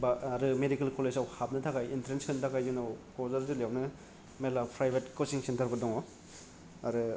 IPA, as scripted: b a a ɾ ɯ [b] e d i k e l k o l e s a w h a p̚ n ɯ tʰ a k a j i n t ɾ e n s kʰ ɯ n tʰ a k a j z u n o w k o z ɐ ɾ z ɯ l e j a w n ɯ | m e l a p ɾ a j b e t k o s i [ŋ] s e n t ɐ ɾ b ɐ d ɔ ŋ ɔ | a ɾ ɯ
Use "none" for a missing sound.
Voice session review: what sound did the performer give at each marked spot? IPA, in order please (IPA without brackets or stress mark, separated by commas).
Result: m, ŋ